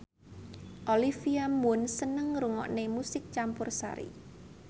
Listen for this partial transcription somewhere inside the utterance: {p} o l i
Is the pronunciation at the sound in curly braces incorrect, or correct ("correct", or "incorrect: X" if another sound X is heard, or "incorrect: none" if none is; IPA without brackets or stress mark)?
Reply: incorrect: ʔ